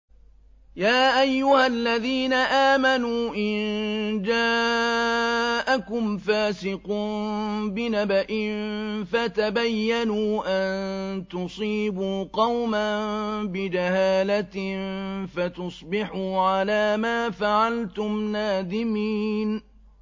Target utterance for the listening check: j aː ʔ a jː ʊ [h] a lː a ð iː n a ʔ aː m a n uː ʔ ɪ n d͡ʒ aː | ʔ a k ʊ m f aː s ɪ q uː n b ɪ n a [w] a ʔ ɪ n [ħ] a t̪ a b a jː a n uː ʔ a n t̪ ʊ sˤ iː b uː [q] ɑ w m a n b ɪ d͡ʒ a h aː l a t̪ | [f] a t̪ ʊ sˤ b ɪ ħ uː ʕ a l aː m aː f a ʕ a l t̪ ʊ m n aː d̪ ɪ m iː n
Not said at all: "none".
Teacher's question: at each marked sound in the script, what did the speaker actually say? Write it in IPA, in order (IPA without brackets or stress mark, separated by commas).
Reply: h, b, f, q, f